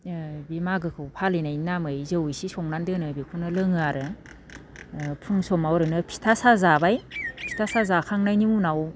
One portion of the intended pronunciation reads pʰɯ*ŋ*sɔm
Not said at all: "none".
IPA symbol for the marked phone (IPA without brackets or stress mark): ŋ